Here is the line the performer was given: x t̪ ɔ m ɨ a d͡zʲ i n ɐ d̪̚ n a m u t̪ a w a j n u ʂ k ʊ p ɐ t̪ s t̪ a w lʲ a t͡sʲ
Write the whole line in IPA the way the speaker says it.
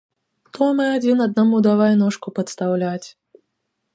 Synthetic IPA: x t̪ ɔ m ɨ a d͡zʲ i n ɐ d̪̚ n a m u d̪ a v a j n ɔ ʂ k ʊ p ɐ t̪ s t̪ a w lʲ a t͡sʲ